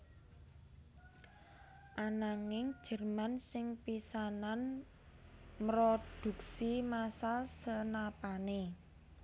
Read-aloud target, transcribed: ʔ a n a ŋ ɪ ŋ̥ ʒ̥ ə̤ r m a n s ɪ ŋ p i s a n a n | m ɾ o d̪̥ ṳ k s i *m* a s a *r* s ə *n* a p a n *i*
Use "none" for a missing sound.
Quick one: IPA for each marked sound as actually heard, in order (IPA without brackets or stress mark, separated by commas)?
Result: m, l, n, e